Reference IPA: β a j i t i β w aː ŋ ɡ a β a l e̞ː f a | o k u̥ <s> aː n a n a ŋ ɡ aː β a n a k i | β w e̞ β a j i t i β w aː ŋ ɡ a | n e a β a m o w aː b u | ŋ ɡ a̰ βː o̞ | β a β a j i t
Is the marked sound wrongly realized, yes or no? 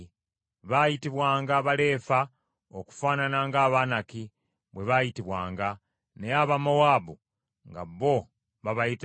yes